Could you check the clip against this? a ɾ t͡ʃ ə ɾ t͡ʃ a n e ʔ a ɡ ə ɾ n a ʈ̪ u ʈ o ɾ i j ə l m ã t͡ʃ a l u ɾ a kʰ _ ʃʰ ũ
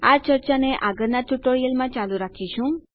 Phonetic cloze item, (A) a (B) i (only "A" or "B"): B